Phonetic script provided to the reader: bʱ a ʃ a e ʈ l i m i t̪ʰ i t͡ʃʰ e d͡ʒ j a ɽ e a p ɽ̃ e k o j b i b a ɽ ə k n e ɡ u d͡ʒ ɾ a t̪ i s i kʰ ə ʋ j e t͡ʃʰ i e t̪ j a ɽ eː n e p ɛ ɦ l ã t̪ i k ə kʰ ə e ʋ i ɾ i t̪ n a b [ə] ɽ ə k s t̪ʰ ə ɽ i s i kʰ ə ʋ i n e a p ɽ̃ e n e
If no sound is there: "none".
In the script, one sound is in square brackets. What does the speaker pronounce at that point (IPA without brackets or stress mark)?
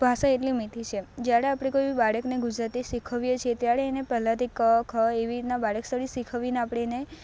a